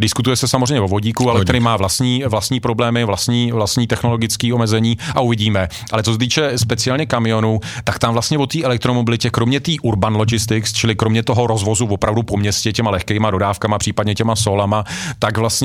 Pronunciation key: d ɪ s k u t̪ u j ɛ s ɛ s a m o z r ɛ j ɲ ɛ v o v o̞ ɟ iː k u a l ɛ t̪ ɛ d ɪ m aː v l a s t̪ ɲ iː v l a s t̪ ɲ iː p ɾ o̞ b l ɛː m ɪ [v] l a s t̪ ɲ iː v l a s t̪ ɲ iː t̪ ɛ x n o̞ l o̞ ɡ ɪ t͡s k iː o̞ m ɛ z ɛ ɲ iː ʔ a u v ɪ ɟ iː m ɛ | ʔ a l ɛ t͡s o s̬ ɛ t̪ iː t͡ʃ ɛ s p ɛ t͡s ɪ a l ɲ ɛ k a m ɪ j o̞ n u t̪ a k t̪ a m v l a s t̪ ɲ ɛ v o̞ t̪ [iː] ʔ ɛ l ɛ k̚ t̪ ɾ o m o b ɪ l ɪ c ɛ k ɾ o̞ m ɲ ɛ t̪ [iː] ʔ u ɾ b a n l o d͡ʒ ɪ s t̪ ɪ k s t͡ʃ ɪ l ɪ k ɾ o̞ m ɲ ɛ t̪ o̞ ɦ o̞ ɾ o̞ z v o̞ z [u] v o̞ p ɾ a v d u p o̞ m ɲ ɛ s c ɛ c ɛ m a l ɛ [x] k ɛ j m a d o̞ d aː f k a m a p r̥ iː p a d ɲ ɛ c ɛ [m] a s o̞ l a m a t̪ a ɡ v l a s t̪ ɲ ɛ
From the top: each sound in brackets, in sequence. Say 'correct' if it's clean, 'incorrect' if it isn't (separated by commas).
correct, correct, correct, correct, correct, correct